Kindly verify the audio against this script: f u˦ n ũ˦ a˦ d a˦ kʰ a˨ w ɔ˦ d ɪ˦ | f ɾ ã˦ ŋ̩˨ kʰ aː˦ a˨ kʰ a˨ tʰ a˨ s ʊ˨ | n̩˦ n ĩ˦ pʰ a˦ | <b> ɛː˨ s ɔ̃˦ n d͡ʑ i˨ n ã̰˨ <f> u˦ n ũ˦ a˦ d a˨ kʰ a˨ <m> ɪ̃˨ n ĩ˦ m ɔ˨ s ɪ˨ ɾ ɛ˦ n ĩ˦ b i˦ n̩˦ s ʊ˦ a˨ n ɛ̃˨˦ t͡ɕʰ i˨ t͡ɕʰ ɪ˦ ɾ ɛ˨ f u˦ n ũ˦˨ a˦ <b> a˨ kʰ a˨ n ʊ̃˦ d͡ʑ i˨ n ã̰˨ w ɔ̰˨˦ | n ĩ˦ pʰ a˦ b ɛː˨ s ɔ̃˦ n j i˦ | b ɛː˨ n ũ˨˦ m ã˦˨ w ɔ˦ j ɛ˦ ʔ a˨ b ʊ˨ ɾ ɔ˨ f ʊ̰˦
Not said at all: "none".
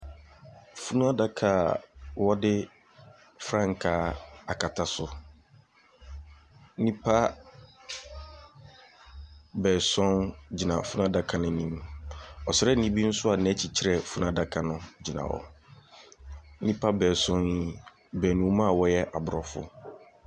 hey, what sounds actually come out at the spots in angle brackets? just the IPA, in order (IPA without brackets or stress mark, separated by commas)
b, f, n, d